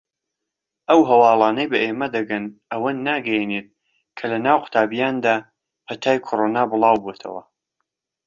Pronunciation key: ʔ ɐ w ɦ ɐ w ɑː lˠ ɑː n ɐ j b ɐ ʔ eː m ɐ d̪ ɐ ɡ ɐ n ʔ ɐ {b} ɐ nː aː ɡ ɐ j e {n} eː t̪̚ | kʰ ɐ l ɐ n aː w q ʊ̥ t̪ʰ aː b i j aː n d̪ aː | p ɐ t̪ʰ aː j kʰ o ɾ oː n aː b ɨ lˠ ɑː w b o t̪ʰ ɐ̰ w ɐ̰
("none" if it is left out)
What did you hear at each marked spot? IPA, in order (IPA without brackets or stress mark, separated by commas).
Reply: w, n